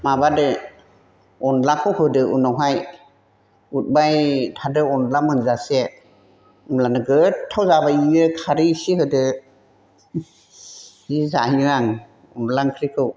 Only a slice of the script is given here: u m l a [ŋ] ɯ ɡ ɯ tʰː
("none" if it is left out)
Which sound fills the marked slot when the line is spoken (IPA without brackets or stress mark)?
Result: n